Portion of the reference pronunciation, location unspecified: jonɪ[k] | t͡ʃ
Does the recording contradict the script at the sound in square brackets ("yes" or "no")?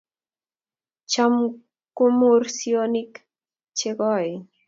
no